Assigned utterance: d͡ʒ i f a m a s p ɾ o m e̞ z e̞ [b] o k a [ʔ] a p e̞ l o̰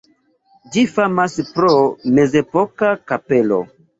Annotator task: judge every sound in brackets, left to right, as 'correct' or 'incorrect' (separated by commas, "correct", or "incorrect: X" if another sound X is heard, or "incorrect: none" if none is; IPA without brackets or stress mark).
incorrect: p, incorrect: k